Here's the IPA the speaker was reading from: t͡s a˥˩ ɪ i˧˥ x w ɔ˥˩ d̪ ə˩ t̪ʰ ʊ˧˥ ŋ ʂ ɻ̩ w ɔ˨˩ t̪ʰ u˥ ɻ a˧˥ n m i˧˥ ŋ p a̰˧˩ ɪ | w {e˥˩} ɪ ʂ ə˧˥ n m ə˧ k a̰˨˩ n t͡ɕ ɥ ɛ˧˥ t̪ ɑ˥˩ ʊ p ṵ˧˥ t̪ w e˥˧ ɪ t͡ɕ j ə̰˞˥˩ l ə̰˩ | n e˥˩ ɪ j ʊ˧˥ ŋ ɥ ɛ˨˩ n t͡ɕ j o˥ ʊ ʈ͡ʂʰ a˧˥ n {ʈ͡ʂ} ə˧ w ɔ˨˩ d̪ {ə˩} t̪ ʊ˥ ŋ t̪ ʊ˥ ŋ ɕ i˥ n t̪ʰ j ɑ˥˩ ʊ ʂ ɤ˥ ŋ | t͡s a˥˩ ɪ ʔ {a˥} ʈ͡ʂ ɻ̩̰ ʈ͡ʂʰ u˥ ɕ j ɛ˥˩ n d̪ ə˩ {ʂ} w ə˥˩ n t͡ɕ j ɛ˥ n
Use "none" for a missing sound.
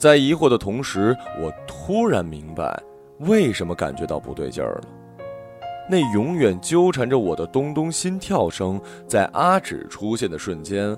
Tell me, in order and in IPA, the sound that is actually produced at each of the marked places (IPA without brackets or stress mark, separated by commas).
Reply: e˥˩, ʈ͡ʂ, ə˦, a˥, ʂ